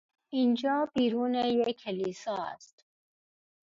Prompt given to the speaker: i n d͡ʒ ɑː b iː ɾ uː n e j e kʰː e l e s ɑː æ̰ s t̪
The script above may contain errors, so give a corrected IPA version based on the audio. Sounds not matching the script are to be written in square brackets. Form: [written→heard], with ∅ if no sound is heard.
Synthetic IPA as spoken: i n d͡ʒ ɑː b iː ɾ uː n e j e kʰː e l [e→i] s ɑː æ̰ s t̪